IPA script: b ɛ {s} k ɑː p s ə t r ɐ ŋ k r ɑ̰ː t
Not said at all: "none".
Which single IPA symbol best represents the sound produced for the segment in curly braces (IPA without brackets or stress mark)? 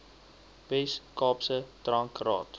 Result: s